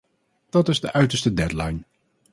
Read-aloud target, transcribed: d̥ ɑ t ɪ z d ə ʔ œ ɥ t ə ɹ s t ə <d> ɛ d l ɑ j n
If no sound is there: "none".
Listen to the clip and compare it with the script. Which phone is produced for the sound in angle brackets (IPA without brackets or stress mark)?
d